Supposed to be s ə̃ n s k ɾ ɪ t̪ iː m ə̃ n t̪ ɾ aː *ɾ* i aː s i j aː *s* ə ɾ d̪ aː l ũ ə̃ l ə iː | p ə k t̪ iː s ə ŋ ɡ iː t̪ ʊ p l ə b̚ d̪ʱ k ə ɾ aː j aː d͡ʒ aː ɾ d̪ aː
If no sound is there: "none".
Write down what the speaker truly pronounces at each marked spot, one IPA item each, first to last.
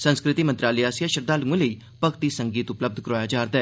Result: l, ʃ

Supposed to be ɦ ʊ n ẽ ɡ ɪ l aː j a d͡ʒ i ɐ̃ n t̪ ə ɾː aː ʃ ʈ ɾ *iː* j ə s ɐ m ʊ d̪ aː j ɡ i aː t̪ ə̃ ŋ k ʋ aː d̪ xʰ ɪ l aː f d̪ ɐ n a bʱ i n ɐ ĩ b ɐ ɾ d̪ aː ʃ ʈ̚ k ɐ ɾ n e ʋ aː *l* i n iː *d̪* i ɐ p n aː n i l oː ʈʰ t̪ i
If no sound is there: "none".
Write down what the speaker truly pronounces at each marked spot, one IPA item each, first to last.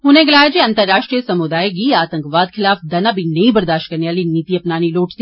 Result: i, l, t̪

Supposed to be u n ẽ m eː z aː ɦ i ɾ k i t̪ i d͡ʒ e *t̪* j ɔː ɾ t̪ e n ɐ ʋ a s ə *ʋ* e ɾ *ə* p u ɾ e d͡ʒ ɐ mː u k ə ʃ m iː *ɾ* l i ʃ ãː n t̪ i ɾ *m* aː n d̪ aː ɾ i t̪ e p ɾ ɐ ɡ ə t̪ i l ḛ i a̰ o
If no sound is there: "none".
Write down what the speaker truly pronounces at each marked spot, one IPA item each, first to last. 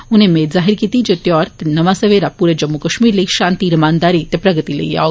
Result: t̪, ʋ, a, ɾ, m

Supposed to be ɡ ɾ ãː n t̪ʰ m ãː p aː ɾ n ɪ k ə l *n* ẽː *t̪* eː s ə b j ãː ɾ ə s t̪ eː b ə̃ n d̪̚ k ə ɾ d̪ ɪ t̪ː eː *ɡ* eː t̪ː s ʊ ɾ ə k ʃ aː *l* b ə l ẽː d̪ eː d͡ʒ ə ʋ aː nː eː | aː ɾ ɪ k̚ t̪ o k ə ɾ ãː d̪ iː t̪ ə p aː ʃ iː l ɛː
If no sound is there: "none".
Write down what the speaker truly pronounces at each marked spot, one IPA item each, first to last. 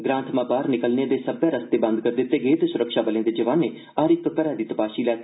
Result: n, d̪, ɡ, none

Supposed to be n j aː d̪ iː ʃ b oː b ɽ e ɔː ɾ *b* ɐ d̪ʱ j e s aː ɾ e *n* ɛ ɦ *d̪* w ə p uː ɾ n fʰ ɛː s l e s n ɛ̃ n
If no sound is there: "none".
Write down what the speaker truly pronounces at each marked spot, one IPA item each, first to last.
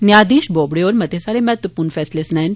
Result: m, m, t̪

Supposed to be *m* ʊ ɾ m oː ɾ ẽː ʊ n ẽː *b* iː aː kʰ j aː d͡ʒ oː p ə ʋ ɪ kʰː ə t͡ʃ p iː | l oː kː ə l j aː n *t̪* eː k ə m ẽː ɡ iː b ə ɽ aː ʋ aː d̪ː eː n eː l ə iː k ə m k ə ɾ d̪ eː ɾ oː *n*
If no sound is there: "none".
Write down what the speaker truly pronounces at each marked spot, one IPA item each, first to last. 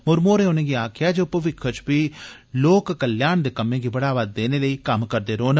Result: m, ɡ, d̪, n

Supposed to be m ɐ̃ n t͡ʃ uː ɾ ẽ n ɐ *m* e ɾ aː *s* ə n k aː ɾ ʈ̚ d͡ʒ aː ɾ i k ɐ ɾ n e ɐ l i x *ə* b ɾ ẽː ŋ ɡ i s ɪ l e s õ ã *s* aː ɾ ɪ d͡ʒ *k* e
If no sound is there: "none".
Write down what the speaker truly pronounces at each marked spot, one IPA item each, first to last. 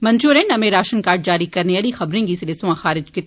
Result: m, ʃ, ɐ, x, k

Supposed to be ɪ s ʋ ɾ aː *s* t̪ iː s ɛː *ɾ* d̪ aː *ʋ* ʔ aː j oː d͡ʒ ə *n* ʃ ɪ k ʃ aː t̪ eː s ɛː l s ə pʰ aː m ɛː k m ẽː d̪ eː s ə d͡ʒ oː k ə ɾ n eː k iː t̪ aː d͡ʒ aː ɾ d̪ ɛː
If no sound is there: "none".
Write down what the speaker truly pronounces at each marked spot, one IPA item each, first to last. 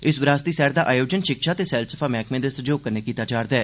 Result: s, ɾ, none, n

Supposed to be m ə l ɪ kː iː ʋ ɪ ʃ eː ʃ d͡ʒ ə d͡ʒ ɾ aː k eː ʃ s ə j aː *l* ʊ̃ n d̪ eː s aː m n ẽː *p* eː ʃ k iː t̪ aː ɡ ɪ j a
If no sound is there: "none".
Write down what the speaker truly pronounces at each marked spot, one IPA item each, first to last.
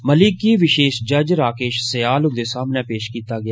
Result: l, p

